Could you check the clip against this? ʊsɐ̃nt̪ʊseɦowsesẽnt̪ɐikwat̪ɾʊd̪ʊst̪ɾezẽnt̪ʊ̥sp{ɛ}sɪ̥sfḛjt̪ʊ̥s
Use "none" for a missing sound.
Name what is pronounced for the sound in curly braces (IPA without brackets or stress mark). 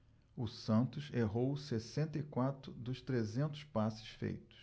a